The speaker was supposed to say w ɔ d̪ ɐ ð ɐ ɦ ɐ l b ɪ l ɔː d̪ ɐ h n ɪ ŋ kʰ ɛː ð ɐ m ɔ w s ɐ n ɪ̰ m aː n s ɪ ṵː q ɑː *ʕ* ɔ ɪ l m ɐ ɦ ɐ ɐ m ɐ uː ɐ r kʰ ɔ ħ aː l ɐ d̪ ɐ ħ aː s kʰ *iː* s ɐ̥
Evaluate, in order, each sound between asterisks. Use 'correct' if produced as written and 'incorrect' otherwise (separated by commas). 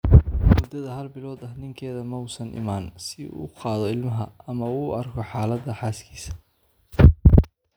incorrect, correct